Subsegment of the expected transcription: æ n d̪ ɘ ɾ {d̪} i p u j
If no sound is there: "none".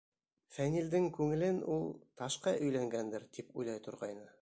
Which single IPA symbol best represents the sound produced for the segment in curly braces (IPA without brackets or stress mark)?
t̪